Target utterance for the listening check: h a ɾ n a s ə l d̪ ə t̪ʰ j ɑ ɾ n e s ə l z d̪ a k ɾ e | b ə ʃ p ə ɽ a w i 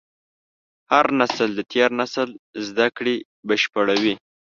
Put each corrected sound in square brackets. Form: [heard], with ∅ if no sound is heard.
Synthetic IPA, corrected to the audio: h a ɾ n a s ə l d̪ ə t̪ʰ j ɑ ɾ n [a] s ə l z d̪ a k [ɽ] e | b ə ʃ p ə ɽ a w i